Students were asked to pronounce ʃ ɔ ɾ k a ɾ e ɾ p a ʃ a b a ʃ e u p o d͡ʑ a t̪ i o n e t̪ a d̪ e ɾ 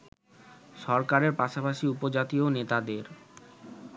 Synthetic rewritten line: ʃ ɔ ɾ k a ɾ e ɾ p a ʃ a p a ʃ i u p o d͡ʑ a t̪ i o n e t̪ a d̪ e ɾ